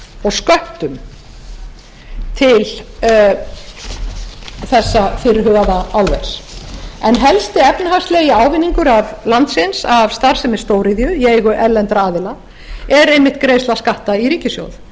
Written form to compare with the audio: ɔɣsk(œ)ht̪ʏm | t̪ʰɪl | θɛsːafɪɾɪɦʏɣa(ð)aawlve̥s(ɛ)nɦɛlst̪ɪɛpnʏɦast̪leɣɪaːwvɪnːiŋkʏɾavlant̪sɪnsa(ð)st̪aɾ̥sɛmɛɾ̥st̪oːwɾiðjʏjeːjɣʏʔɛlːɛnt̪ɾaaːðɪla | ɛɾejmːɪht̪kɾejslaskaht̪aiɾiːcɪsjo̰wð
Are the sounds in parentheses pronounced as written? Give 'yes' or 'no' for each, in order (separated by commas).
yes, yes, yes, no